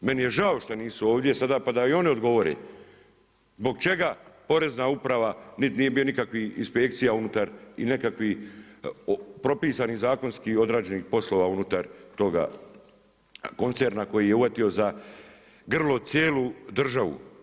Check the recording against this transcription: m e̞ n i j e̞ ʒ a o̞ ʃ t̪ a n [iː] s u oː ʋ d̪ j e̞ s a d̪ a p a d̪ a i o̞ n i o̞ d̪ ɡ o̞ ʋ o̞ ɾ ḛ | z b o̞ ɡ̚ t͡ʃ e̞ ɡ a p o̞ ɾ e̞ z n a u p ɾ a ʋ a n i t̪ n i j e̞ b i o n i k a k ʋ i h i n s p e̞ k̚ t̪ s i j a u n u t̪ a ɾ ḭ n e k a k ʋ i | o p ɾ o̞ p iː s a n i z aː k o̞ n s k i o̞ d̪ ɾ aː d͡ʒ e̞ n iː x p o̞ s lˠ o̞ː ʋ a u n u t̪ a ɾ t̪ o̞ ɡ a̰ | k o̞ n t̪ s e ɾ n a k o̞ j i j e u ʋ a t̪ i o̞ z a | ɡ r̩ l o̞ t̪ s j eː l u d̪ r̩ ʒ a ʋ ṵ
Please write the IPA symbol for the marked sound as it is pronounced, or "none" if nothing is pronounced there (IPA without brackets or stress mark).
iː